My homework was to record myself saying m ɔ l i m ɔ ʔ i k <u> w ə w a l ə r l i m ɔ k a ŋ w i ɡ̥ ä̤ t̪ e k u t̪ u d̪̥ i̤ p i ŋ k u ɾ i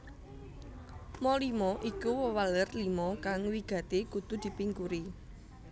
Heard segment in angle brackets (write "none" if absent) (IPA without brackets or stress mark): u